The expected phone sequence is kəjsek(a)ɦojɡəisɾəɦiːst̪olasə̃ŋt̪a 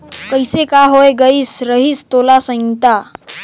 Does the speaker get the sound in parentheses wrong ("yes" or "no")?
no